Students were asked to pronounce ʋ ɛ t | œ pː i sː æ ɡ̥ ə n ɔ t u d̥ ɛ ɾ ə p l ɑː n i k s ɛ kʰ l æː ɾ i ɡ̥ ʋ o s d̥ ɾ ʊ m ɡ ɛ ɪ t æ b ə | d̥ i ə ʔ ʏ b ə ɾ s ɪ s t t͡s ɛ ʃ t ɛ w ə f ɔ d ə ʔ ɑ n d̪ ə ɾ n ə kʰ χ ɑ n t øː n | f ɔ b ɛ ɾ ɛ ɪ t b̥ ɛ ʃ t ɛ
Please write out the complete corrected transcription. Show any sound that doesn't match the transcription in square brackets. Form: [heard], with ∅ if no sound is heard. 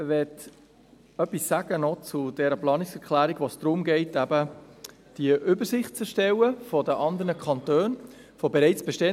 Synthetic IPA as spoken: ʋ ɛ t | œ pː i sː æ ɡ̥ ə n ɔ [t͡s] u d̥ ɛ ɾ ə p l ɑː n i k s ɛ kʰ l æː ɾ i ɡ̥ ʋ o s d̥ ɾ ʊ m ɡ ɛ ɪ t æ b ə | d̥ i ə ʔ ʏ b ə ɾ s ɪ [χ] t t͡s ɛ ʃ t ɛ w ə f ɔ d ə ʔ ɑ n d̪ ə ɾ n ə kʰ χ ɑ n t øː n | f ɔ b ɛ ɾ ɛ ɪ [t͡s] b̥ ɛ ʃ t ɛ